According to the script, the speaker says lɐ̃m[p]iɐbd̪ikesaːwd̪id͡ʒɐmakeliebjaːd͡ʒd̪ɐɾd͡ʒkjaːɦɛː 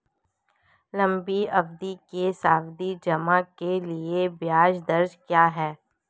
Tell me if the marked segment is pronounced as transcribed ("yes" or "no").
no